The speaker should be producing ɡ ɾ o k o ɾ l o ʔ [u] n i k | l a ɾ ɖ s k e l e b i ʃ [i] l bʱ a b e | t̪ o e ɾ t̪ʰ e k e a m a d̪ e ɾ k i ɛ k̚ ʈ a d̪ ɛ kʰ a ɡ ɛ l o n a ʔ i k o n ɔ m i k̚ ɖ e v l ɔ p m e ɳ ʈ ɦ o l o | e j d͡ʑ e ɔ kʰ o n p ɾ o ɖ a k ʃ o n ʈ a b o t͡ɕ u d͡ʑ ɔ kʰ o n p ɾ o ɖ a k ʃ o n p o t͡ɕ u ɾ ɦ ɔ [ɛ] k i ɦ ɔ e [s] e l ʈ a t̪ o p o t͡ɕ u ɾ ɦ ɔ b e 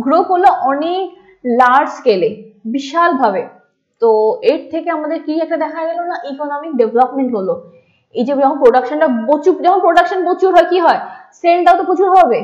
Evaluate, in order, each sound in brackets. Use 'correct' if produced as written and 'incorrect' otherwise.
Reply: incorrect, incorrect, incorrect, correct

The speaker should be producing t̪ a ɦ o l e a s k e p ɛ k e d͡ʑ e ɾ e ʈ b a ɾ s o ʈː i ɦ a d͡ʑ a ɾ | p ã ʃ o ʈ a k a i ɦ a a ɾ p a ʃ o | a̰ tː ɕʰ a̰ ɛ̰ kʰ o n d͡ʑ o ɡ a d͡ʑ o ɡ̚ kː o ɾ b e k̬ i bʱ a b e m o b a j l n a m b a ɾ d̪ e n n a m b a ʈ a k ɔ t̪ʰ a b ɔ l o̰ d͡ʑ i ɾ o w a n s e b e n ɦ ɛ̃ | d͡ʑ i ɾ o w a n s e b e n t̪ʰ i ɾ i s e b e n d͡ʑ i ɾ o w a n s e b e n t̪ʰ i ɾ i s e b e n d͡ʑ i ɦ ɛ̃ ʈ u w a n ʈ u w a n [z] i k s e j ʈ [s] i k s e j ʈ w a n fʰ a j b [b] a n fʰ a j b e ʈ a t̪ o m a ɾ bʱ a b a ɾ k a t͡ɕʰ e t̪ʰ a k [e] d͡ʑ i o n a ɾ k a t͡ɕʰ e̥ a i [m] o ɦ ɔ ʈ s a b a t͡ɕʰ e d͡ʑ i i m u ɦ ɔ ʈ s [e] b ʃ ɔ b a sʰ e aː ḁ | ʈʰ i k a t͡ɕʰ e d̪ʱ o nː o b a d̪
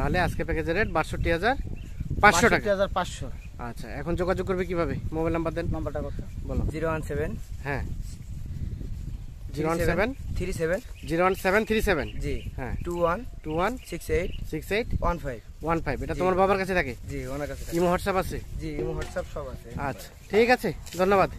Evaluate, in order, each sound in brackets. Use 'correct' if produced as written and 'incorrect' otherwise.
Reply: incorrect, correct, incorrect, correct, correct, incorrect

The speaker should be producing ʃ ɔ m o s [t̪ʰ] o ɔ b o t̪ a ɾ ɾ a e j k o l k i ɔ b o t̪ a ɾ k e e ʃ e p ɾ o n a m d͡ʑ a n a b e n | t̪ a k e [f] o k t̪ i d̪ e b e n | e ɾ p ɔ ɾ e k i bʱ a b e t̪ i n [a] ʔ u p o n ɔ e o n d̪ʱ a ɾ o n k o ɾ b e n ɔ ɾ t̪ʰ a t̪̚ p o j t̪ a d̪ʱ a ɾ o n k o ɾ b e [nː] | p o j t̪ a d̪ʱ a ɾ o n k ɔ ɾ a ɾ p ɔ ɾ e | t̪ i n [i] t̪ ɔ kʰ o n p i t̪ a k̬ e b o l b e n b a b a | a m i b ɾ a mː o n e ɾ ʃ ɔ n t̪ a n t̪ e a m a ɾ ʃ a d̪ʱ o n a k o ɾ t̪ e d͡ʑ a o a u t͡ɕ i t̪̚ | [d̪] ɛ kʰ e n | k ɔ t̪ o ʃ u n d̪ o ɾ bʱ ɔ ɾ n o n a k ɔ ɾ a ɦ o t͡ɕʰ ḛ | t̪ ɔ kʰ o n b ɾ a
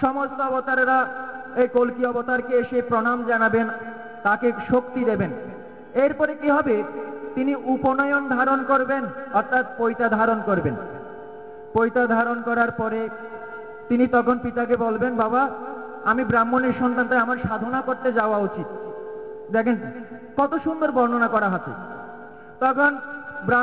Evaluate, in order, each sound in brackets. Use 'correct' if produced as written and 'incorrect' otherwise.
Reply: incorrect, incorrect, incorrect, incorrect, correct, correct

